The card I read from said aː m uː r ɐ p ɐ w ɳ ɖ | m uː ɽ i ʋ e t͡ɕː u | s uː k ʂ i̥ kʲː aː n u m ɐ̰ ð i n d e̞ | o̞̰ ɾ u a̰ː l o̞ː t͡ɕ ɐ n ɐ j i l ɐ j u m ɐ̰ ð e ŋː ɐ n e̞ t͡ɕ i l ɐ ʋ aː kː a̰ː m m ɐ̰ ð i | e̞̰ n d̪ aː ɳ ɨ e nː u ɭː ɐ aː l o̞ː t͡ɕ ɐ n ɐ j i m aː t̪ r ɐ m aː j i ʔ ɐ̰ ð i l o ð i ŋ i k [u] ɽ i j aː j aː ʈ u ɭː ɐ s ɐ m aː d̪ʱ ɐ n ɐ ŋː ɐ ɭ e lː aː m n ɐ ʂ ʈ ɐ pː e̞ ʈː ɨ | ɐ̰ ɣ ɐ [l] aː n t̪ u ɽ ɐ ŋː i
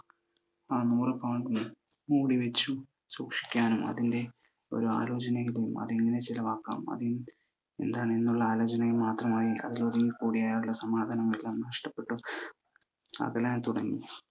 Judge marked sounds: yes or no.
no, yes

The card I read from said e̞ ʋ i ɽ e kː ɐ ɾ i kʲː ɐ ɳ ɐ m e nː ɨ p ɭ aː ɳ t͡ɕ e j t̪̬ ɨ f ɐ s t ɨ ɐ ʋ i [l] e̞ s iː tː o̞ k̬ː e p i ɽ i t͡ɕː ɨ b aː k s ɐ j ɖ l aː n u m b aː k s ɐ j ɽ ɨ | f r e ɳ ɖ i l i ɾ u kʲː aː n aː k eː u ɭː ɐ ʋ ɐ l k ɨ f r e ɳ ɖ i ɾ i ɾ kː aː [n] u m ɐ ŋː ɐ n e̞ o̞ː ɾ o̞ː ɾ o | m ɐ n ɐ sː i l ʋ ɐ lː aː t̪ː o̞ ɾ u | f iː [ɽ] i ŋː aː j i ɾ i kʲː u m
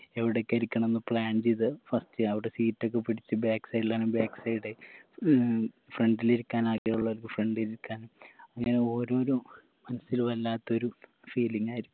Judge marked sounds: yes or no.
no, yes, no

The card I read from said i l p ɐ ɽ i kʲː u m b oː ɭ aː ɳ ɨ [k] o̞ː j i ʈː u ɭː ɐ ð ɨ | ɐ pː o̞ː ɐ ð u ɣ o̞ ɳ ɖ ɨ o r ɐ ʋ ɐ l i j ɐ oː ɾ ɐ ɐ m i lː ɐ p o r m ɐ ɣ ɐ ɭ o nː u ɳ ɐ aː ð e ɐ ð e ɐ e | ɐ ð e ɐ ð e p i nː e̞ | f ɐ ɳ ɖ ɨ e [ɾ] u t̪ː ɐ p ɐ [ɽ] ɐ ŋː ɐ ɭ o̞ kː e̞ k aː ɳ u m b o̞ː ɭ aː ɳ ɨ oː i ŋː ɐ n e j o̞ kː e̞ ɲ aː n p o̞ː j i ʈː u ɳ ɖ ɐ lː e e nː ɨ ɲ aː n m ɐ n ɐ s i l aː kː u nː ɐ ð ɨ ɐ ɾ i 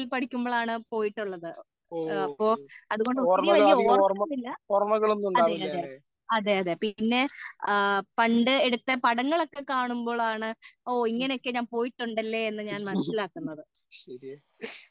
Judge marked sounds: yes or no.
no, no, yes

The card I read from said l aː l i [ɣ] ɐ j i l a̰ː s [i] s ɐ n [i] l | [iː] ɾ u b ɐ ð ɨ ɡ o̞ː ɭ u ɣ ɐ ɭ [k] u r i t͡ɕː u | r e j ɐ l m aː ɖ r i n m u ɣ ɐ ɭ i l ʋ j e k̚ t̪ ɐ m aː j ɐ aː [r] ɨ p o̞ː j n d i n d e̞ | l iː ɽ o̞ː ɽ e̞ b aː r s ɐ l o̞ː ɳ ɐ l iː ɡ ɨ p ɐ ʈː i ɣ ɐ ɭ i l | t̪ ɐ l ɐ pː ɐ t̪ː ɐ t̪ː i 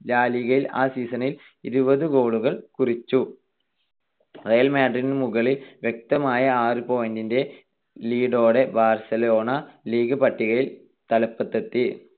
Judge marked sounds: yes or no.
yes, no, yes, no, yes, yes

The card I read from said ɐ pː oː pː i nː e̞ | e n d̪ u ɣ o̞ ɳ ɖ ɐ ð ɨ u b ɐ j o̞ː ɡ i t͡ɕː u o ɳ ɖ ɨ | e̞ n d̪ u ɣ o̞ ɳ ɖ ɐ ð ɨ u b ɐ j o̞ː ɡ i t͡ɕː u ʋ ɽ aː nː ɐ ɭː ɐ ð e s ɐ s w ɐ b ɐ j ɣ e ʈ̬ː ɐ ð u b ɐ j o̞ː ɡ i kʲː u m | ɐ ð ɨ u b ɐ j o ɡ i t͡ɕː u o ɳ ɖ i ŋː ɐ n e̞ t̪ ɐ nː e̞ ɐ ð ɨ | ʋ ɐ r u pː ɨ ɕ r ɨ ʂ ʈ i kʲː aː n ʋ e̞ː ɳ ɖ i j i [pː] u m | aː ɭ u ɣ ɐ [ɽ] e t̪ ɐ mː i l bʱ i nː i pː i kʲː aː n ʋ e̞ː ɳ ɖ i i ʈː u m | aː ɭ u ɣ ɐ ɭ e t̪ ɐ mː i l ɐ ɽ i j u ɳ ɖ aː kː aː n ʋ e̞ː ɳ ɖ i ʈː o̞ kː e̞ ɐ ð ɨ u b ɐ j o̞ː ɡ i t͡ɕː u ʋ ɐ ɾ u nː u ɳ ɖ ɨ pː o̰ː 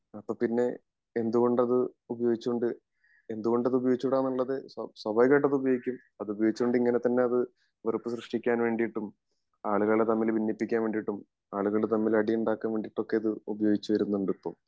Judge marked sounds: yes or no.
no, no

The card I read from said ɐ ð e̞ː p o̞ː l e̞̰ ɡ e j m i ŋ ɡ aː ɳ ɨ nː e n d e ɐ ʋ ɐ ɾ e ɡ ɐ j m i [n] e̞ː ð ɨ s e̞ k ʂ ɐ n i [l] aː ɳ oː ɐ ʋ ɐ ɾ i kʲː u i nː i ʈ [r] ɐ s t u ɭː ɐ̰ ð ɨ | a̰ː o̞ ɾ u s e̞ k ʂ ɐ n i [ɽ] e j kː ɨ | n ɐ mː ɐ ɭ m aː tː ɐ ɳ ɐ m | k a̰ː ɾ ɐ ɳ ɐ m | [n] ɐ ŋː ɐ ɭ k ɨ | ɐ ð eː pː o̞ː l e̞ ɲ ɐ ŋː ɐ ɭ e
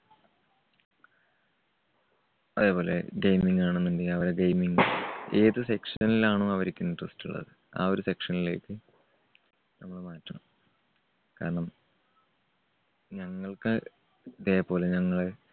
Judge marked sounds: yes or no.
no, yes, yes, no, no

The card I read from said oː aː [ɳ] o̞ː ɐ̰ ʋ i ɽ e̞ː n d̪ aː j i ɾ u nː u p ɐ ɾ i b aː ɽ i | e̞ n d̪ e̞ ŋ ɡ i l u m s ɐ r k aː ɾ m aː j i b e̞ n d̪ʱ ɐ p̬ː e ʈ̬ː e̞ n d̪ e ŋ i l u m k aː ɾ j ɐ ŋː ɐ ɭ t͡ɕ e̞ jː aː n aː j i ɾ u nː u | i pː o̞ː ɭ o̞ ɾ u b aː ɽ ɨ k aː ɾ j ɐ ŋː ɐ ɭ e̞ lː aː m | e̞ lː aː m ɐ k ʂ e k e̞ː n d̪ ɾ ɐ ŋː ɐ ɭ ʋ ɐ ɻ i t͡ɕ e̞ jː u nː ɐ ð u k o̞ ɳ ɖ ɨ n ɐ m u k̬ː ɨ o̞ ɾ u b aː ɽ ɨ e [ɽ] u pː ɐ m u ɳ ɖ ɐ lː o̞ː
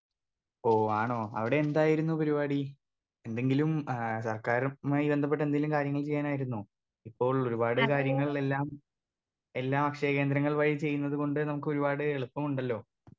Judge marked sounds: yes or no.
yes, no

